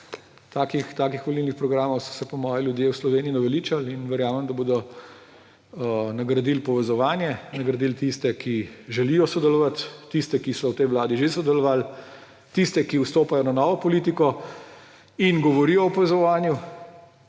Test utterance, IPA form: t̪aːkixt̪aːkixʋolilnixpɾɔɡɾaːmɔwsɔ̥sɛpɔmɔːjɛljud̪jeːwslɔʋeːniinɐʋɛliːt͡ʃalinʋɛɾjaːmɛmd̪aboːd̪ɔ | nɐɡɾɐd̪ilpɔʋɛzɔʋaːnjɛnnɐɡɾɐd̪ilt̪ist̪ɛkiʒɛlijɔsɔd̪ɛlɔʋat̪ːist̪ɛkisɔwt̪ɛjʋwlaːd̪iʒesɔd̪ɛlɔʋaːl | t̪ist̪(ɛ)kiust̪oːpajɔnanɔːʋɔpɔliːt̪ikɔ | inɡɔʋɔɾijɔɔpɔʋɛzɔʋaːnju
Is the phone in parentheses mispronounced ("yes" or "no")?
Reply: no